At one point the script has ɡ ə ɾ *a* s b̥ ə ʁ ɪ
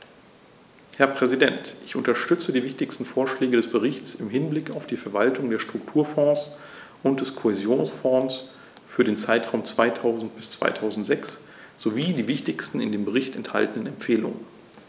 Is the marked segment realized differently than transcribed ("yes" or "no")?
yes